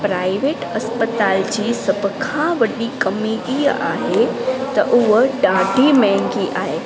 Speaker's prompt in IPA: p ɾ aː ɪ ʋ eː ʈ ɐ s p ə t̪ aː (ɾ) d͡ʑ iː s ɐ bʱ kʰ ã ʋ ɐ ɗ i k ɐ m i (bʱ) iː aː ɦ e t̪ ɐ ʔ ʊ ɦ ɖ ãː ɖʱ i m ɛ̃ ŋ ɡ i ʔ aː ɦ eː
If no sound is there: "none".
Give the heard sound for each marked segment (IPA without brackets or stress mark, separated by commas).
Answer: l, none